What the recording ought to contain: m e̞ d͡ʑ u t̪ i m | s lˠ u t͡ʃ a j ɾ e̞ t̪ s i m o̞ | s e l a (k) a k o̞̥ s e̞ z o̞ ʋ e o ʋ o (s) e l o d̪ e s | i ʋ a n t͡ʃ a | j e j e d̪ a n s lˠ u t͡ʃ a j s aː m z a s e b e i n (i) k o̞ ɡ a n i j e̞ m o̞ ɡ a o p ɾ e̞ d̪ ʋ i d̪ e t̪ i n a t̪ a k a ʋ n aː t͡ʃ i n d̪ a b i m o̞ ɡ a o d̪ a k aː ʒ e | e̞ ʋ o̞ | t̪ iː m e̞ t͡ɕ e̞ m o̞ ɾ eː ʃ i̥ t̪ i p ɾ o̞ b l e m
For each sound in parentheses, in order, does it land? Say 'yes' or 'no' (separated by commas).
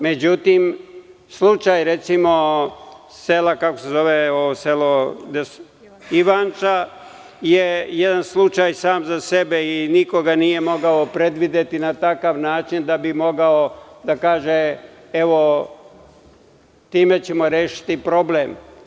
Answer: yes, yes, yes